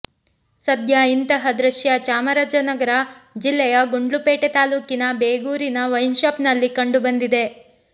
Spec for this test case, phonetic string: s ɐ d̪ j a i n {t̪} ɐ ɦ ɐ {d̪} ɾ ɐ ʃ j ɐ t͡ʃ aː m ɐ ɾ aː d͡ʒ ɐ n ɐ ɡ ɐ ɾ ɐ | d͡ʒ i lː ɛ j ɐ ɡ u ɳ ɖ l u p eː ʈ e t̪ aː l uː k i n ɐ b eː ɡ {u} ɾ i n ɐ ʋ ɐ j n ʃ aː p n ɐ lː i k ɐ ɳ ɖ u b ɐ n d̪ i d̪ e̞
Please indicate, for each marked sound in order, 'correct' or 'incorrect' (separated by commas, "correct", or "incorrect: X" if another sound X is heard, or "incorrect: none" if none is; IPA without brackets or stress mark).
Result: correct, correct, incorrect: uː